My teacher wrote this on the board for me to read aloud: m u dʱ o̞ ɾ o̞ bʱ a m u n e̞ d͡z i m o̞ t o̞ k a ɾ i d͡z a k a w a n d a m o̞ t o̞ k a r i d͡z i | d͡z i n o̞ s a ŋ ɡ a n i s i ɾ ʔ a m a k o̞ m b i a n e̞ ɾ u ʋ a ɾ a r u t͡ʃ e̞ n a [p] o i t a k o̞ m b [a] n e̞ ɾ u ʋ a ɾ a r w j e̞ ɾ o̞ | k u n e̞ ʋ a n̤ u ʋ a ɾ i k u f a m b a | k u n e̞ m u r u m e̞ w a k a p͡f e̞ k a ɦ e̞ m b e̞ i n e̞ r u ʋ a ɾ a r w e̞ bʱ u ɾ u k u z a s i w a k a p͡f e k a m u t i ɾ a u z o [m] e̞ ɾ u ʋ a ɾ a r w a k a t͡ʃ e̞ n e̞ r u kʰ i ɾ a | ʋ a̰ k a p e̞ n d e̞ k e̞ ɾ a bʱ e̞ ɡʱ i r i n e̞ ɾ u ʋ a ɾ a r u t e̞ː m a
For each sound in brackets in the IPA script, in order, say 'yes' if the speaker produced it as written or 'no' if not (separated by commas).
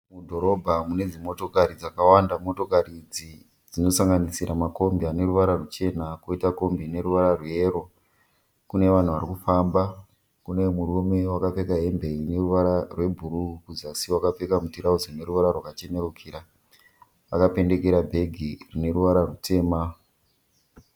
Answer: no, no, no